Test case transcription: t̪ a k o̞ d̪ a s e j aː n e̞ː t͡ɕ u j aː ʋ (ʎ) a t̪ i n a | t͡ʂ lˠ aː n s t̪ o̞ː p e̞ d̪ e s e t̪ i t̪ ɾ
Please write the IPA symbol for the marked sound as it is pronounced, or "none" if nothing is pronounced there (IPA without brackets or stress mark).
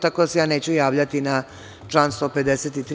ʎ